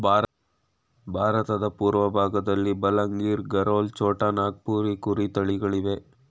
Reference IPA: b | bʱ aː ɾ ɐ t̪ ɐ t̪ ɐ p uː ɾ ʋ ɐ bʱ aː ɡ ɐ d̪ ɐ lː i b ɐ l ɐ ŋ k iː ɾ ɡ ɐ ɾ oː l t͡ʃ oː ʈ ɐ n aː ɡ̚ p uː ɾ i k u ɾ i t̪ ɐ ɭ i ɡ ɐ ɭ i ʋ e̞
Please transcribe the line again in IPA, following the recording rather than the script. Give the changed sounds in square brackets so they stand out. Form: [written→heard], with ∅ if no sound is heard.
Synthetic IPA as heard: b | bʱ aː ɾ ɐ t̪ ɐ [t̪→d̪] ɐ p uː ɾ ʋ ɐ bʱ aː ɡ ɐ d̪ ɐ lː i b ɐ l ɐ ŋ [k→ɡ] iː ɾ ɡ ɐ ɾ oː l t͡ʃ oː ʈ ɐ n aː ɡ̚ p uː ɾ i k u ɾ i t̪ ɐ ɭ i ɡ ɐ ɭ i ʋ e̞